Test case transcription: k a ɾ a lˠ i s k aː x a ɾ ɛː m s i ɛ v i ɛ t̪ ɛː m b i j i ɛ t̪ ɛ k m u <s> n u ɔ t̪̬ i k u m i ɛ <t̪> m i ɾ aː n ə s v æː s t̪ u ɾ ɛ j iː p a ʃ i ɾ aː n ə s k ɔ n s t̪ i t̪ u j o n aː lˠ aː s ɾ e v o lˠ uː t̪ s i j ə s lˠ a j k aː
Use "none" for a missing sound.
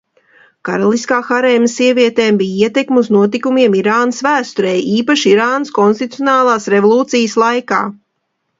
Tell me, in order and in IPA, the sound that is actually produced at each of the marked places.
z, none

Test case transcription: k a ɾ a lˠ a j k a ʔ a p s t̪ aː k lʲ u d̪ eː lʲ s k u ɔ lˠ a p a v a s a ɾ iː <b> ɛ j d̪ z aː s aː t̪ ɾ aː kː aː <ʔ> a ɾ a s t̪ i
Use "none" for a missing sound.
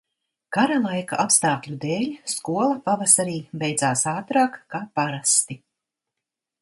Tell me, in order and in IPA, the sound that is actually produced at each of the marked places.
b, p

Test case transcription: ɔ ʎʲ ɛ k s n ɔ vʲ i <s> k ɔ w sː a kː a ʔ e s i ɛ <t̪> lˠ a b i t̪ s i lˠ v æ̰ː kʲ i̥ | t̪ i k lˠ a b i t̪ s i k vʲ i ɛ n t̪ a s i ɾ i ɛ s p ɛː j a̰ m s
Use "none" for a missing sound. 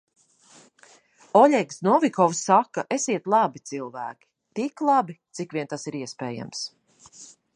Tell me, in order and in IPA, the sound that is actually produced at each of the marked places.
none, t̪

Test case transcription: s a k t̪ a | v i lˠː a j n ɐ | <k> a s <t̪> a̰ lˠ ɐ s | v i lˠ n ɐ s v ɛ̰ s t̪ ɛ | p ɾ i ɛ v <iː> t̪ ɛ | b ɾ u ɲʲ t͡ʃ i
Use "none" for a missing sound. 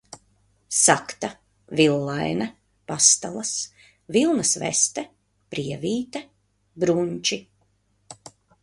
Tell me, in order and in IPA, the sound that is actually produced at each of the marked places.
p, t̪, iː

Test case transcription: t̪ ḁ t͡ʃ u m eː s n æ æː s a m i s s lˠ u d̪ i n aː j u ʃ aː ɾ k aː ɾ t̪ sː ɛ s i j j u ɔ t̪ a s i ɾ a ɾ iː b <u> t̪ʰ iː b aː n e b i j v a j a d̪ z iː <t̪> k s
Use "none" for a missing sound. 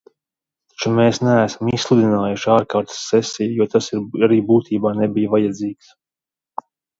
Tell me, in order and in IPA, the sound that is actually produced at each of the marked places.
uː, none

